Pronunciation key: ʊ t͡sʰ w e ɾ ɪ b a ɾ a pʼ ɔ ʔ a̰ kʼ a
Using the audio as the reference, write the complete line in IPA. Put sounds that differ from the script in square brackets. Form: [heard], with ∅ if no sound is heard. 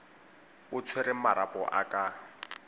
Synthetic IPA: ʊ t͡sʰ w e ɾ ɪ [m] a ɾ a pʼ ɔ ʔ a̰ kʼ a